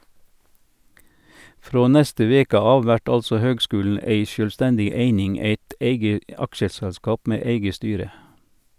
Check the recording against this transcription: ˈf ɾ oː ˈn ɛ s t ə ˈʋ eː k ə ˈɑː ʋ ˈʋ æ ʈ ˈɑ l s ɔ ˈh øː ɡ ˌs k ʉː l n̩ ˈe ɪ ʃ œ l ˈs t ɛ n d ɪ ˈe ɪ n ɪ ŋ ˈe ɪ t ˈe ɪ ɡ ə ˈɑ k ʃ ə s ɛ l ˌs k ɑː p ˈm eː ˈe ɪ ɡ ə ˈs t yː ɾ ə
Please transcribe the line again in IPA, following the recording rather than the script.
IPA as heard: ˈf ɾ oː ˈn ɛ s t ə ˈʋ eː k ə ˈɑː ʋ ˈʋ æ ʈ ˈɑ l s ɔ ˈh øː ɡ ˌs k ʉː l n̩ ˈe ɪ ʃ œ l ˈs t ɛ n d ɪ ˈe ɪ n ɪ ŋ ˈe ɪ t ˈe ɪ ɡ ə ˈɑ k ʃ ə s ɛ l ˌs k ɑː p ˈm eː ˈe ɪ ɡ ə ˈs t yː ɾ ə

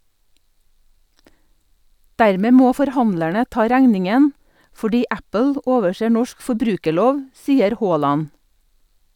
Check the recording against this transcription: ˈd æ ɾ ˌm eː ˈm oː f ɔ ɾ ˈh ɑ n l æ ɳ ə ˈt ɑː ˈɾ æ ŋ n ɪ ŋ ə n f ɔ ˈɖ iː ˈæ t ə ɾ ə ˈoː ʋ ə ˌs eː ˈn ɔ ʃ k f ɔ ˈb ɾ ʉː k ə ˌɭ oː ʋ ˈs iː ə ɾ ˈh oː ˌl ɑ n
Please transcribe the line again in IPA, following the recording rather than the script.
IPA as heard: ˈd æ ɾ ˌm eː ˈm oː f ɔ ɾ ˈh ɑ n l æ ɳ ə ˈt ɑː ˈɾ æ ŋ n ɪ ŋ ə n f ɔ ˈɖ iː ˈæ p ə l ə ˈoː ʋ ə ˌs eː ˈn ɔ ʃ k f ɔ ˈb ɾ ʉː k ə ˌɭ oː ʋ ˈs iː ə ɾ ˈh oː ˌl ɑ n

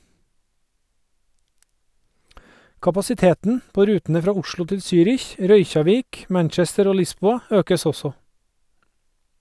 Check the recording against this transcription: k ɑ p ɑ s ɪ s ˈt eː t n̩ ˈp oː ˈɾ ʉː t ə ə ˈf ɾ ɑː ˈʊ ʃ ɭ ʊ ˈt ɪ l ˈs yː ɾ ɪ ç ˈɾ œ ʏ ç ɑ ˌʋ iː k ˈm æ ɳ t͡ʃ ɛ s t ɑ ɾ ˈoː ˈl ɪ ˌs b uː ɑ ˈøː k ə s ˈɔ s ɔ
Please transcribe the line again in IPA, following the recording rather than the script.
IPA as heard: k ɑ p ɑ s ɪ ˈt eː t n̩ ˈp oː ˈɾ ʉː t ə ə ˈf ɾ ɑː ˈʊ ʃ ɭ ʊ ˈt ɪ l ˈs yː ɾ ɪ ç ˈɾ œ ʏ ç ɑ ˌʋ iː k ˈm æ ɳ t͡ʃ ɛ s t ə ɾ ˈoː ˈl ɪ ˌs b uː ɑ ˈøː k ə s ˈɔ s ɔ

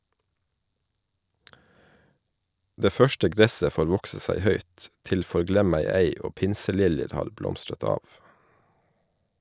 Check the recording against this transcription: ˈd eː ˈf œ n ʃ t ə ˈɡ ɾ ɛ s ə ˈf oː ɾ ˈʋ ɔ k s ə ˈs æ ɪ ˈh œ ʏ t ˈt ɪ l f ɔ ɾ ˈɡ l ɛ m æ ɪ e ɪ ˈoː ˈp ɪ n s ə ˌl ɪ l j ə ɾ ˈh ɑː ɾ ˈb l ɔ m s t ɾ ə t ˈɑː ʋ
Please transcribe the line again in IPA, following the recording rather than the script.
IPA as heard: ˈd eː ˈf œ ʃ t ə ˈɡ ɾ ɛ s ə ˈf oː ɾ ˈʋ ɔ k s ə ˈs æ ɪ ˈh œ ʏ t ˈt ɪ l f ɔ ɾ ˈɡ l ɛ m æ ɪ e ɪ ˈoː ˈp ɪ n s ə ˌl ɪ l j ə ɾ ˈh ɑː ɾ ˈb l ɔ m s t ɾ ə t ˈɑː ʋ

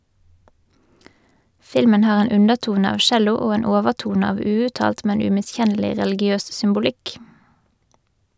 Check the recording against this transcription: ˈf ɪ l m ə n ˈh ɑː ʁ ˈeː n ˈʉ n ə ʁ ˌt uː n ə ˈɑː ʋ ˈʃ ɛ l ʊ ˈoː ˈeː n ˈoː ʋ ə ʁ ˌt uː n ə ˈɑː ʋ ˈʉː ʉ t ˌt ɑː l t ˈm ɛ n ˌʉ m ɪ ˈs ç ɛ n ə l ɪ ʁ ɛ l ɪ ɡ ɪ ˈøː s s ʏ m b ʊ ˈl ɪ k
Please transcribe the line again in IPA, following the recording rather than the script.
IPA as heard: ˈf ɪ l m ə n ˈh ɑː ʁ ˈeː n ˈʉ n ə ʁ ˌt uː n ə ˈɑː ʋ ˈʃ ɛ l ʊ ˈoː ˈeː n ˈoː ʋ ə ʁ ˌt uː n ə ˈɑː ʋ ˈʉː ʉ t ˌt ɑː l t ˈm ɛ n ˌʉ m ɪ ˈs ç ɛ n ə l ɪ ʁ ɛ l ɪ ɡ ɪ ˈøː s s ʏ m b ʊ ˈl ɪ k

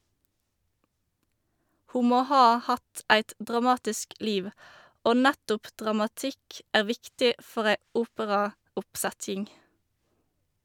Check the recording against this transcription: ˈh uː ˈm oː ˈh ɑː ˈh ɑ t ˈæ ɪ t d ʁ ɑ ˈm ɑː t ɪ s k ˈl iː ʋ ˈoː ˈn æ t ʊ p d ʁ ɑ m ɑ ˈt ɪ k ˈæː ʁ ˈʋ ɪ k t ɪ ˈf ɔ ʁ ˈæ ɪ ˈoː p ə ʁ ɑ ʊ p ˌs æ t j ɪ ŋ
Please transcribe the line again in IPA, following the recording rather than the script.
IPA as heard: ˈh uː ˈm oː ˈh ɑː ˈh ɑ t ˈæ ɪ t d ʁ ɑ ˈm ɑː t ɪ s k ˈl iː ʋ ˈoː ˈn æ t ʊ p d ʁ ɑ m ɑ ˈt ɪ k ˈæː ʁ ˈʋ ɪ k t ɪ ˈf ɔ ʁ ˈæ ɪ ˈuː p ə ʁ ɑ ʊ p ˌs æ t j ɪ ŋ

